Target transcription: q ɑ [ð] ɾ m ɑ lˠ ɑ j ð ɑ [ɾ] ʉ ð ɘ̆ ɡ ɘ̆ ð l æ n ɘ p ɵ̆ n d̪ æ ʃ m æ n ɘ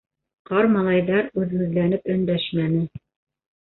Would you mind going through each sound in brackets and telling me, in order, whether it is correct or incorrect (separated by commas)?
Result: incorrect, correct